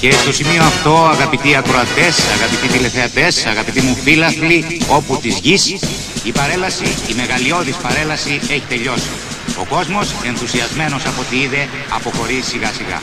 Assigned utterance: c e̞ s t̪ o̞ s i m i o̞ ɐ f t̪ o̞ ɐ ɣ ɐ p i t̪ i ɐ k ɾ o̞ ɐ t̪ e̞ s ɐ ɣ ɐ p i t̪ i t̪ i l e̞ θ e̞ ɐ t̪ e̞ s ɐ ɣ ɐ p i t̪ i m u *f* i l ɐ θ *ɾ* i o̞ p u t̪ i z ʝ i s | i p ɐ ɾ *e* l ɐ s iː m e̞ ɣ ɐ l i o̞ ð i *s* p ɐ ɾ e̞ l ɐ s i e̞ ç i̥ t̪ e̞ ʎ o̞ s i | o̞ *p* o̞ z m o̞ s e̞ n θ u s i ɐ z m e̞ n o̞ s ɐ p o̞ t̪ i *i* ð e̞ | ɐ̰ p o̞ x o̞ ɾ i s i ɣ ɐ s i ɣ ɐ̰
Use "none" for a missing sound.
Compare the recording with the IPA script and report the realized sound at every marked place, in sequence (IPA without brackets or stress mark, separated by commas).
f, l, e, s, k, i